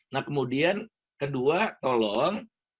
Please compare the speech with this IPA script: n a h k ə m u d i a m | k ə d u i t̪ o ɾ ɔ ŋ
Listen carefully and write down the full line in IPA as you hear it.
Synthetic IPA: n a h k ə m u d i a n | k ə d u a t̪ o l ɔ ŋ